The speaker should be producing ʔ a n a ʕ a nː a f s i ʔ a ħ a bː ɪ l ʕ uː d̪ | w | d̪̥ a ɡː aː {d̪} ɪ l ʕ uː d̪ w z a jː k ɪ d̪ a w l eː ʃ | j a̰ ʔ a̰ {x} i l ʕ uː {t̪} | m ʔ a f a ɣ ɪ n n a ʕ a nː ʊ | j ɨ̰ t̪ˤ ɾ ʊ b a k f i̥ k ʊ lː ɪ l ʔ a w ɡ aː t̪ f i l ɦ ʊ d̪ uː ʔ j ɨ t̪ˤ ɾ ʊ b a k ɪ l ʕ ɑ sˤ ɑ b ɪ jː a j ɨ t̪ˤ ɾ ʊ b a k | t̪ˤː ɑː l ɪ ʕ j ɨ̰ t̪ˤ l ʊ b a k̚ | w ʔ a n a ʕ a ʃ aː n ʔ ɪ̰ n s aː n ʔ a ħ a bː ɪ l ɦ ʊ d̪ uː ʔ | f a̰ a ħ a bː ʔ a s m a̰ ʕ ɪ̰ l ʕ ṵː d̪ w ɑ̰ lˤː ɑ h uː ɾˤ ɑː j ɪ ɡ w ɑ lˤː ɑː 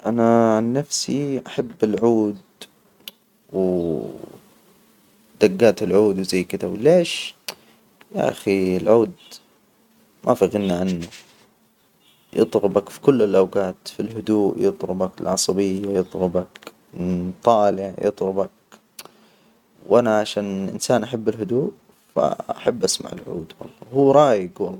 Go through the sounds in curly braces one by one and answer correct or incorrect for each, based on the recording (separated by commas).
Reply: incorrect, correct, incorrect